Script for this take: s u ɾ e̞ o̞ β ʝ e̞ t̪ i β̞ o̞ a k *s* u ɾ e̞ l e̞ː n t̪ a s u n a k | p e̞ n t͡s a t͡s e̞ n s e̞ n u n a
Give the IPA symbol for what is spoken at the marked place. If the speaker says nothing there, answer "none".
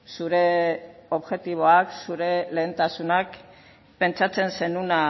s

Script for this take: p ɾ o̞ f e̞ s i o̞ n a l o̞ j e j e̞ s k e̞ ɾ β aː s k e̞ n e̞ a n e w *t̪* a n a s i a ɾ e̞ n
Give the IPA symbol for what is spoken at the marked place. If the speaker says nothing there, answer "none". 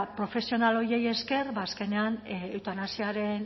t̪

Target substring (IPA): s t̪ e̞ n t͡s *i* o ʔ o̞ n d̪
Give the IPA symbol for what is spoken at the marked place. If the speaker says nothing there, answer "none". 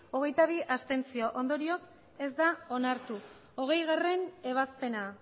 i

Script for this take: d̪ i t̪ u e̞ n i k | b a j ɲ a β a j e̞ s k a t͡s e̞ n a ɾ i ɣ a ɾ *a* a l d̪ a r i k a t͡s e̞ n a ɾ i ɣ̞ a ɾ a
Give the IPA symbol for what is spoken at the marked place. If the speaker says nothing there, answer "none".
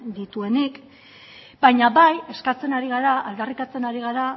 a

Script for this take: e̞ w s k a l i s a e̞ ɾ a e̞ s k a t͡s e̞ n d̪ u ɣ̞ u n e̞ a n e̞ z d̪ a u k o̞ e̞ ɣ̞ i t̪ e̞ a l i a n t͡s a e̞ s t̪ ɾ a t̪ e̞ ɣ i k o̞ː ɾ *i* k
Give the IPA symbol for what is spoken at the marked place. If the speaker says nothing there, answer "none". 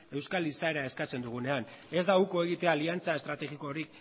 i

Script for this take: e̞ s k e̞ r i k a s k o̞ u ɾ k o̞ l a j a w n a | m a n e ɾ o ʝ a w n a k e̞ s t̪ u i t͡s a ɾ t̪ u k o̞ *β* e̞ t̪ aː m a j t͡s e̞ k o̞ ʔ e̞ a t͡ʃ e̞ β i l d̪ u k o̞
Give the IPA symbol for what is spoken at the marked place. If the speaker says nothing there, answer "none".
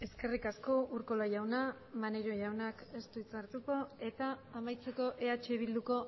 none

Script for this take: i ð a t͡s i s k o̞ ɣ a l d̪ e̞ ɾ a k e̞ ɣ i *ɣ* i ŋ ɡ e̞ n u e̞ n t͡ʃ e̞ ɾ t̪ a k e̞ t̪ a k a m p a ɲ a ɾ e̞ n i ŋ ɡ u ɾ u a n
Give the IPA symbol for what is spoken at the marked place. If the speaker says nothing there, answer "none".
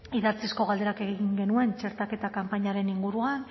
ɣ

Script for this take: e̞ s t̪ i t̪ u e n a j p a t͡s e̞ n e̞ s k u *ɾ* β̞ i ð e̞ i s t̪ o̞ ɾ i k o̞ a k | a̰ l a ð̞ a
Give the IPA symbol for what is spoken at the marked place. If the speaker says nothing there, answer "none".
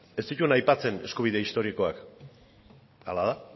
none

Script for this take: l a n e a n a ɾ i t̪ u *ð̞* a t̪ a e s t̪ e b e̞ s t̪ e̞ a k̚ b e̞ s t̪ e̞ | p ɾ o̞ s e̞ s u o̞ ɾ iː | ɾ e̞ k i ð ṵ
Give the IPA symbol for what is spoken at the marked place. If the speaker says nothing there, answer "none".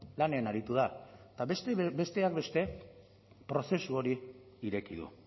ð̞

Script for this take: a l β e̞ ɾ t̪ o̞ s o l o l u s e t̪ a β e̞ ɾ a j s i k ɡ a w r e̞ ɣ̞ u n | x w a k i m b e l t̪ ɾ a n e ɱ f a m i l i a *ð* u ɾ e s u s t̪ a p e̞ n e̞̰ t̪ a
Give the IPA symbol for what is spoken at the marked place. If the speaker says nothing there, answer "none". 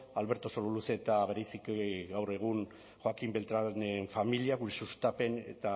ɣ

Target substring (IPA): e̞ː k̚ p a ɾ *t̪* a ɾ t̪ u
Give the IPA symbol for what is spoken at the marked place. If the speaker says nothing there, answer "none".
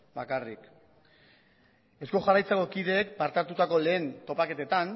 t̪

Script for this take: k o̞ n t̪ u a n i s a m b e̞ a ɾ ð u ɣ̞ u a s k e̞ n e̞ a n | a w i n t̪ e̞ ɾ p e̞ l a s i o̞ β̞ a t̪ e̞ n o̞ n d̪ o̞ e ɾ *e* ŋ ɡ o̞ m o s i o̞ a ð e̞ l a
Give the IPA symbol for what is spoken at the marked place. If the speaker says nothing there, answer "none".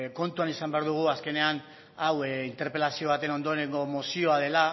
e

